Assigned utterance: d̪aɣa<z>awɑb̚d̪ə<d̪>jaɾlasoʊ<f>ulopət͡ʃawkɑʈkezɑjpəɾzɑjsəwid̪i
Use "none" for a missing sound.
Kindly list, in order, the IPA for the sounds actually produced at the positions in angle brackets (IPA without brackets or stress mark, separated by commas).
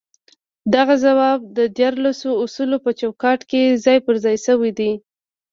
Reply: z, d̪, s